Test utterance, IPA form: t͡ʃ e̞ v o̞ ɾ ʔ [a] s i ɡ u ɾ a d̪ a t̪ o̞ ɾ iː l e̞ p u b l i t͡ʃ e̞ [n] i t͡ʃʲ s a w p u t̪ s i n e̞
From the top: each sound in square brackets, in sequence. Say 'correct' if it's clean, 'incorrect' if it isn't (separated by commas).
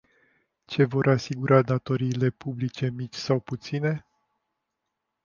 correct, incorrect